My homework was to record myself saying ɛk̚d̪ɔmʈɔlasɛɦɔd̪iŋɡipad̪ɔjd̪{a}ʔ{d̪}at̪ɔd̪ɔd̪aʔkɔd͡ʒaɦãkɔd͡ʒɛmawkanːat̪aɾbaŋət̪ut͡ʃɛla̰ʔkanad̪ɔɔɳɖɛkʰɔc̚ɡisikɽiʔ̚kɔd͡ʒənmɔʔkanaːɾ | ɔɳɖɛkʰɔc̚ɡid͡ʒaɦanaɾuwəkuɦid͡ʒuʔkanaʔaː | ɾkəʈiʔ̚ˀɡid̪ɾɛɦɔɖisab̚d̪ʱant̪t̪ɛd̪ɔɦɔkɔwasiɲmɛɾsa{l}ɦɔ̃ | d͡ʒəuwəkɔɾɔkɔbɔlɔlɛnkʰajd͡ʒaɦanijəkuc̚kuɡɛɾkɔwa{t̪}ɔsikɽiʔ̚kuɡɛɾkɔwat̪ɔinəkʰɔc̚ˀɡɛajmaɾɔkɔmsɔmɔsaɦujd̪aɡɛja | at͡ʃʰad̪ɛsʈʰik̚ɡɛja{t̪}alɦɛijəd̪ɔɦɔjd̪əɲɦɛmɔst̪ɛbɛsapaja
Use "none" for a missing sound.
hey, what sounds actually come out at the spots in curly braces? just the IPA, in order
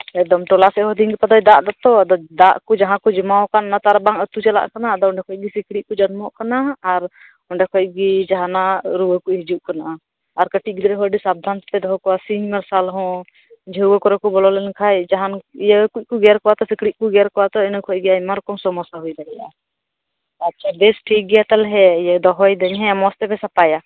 a, d̪, l, t̪, t̪

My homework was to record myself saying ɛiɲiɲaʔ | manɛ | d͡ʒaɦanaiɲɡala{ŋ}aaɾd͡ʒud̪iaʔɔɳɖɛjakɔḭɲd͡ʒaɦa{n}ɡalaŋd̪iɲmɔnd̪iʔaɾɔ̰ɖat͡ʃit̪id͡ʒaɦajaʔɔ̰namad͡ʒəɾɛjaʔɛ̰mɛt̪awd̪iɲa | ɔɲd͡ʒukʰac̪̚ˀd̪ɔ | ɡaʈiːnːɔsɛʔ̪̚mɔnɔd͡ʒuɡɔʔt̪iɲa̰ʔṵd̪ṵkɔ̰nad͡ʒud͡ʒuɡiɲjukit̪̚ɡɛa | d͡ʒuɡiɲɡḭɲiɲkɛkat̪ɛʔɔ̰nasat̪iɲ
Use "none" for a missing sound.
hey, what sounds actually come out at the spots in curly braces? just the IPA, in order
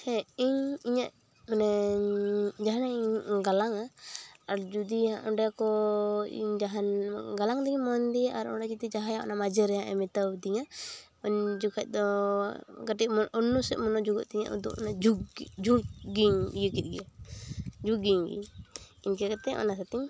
ŋ, n

